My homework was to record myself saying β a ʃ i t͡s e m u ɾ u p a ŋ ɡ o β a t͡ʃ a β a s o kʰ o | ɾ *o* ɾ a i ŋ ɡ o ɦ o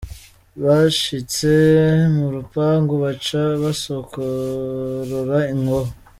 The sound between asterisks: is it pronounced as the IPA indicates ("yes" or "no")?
yes